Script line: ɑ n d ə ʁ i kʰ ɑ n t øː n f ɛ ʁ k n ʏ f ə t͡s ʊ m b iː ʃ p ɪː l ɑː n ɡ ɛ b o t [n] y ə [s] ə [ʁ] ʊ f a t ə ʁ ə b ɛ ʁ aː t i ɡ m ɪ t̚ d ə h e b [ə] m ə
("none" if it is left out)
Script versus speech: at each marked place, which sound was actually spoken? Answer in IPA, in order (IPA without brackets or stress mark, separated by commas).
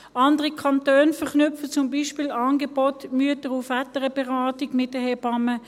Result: m, t, ʁ, ɑ